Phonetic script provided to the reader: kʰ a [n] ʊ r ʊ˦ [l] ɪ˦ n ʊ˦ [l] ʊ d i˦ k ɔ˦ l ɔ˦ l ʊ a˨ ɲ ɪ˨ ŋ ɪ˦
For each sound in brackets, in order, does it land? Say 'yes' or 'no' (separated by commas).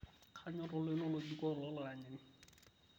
no, yes, yes